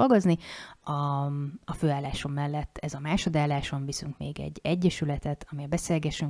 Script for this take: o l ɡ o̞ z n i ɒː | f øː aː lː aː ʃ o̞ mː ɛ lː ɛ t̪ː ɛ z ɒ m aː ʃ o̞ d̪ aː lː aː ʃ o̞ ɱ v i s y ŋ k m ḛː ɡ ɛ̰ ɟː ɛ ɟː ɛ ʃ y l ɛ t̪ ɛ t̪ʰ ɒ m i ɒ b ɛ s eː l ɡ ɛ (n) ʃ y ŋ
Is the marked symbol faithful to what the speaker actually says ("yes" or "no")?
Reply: no